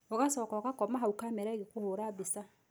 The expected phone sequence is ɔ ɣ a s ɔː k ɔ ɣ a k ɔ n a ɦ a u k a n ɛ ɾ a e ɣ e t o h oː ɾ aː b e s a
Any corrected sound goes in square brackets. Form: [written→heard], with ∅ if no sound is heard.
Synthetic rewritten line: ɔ ɣ a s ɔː k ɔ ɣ a k ɔ [n→m] a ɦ a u k a [n→m] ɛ ɾ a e ɣ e [t→k] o h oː ɾ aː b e s a